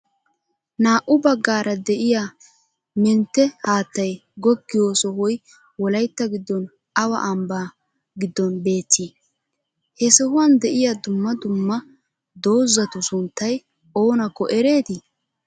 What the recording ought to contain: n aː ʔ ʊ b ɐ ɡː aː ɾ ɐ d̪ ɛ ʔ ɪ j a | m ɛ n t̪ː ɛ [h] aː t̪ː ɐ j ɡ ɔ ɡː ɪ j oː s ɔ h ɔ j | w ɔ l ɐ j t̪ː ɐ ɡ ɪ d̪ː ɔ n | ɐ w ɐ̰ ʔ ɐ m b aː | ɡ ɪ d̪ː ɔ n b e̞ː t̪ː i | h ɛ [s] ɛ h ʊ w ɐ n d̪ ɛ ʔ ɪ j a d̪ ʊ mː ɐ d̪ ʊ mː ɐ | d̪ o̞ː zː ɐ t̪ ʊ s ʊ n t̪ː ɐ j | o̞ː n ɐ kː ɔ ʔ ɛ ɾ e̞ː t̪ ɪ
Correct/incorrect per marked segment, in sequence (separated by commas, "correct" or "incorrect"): correct, correct